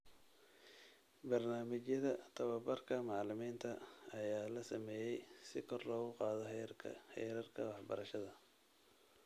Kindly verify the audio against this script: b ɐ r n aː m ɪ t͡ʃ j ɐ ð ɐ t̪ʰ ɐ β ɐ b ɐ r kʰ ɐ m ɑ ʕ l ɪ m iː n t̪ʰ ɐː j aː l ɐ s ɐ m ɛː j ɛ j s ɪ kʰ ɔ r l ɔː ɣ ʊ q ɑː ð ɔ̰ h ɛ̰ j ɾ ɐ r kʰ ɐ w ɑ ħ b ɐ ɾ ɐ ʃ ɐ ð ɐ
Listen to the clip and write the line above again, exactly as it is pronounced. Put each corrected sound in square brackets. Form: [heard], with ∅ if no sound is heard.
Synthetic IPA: b ɐ r n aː m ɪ t͡ʃ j ɐ ð ɐ t̪ʰ ɐ β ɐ b ɐ r kʰ ɐ m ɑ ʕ l ɪ m iː n t̪ʰ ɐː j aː l ɐ s ɐ m ɛː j ɛ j s ɪ kʰ ɔ r l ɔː ɣ ʊ q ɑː ð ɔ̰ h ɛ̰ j ɾ ɐ r kʰ ɐ w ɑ ħ b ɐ ɾ ɐ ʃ ɐ ð ɐ